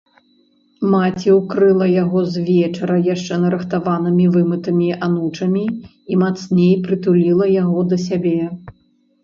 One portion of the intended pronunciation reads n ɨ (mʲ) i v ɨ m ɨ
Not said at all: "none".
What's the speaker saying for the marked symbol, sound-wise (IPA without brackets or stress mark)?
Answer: mʲ